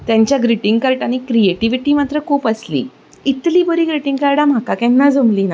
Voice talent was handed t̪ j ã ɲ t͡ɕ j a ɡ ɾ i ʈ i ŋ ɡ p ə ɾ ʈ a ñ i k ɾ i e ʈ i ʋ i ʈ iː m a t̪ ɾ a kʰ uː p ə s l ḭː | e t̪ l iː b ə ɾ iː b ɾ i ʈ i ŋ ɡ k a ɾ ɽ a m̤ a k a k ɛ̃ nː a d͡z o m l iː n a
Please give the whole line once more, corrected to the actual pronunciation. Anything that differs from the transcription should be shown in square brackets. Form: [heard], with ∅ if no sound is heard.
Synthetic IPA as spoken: t̪ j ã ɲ t͡ɕ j a ɡ ɾ i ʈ i ŋ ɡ [k] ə ɾ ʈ a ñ i k ɾ i e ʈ i ʋ i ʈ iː m a t̪ ɾ [ə] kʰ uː p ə s l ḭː | [i] t̪ l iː b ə ɾ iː [ɡ] ɾ i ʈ i ŋ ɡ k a ɾ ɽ a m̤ a k a k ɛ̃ nː a d͡z o m l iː n a